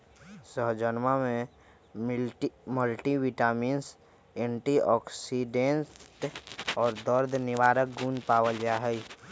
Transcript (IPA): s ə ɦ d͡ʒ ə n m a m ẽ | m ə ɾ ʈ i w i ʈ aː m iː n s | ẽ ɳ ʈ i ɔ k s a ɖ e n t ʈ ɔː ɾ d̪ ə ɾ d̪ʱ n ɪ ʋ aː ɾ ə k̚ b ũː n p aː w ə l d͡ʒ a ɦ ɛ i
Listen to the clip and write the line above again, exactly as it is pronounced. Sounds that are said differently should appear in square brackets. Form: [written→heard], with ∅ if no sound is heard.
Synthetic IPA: s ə ɦ d͡ʒ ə n m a m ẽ | m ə [ɾ→l] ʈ i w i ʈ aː m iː n s | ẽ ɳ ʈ i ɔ k s [a→i] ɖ e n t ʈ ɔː ɾ d̪ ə ɾ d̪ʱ n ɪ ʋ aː ɾ ə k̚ [b→ɡ] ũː n p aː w ə l d͡ʒ a ɦ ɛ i